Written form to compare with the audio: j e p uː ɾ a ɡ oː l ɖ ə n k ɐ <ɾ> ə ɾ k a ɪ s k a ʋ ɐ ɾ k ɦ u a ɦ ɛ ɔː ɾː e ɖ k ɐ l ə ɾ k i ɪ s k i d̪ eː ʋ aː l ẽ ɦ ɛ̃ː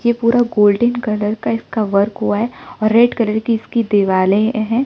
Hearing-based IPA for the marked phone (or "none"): l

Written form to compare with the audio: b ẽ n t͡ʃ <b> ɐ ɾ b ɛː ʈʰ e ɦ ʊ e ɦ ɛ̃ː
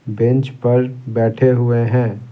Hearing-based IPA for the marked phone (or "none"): p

